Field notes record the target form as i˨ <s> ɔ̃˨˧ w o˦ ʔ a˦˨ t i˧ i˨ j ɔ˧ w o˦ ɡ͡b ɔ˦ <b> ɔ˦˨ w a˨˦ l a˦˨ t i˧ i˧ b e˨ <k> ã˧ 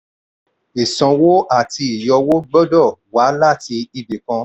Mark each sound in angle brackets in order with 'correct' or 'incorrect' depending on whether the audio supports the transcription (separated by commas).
correct, incorrect, correct